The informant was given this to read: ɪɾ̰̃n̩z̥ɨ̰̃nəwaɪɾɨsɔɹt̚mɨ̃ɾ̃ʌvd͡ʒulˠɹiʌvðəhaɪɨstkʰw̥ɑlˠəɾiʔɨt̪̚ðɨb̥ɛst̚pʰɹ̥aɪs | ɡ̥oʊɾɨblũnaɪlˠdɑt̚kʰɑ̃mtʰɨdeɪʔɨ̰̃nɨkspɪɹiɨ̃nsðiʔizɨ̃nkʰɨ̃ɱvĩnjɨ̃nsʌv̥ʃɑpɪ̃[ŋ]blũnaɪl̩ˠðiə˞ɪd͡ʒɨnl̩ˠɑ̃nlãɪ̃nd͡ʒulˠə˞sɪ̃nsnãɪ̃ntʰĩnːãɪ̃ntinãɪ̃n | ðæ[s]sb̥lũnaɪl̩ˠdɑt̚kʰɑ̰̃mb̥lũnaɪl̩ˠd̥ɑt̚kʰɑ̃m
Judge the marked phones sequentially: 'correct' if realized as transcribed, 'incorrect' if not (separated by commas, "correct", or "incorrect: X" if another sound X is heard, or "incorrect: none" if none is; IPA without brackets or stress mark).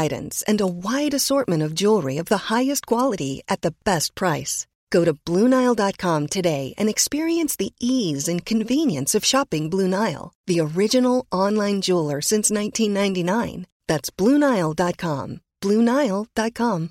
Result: correct, incorrect: t